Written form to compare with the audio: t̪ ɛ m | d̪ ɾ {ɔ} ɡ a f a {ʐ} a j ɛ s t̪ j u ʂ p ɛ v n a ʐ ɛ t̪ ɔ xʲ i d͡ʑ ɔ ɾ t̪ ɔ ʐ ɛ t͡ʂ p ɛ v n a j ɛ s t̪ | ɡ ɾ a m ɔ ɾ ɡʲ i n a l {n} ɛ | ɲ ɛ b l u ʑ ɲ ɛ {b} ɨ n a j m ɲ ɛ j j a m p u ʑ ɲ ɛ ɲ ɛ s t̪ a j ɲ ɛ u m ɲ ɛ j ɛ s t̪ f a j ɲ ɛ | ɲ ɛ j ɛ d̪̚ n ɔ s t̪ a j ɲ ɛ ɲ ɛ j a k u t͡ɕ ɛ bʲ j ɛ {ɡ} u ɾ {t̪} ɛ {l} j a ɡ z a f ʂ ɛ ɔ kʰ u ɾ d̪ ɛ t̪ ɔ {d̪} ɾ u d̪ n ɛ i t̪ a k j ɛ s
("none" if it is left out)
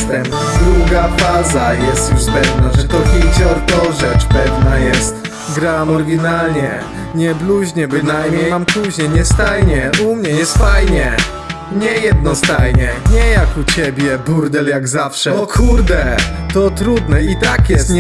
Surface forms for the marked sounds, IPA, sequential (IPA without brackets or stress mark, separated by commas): u, z, ɲ, b, b, d̪, l, t̪